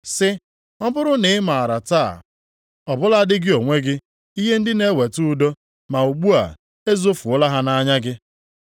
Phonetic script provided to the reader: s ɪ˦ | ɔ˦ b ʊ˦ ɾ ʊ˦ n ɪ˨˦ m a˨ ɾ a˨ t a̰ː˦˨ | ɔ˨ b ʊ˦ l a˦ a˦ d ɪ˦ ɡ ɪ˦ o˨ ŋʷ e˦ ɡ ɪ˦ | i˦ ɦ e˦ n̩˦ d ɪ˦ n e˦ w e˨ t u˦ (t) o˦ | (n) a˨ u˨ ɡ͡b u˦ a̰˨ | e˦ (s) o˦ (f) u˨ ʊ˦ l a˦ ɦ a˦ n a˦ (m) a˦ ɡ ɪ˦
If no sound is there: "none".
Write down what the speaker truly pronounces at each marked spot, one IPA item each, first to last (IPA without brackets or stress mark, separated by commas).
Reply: d, m, z, f, ɲ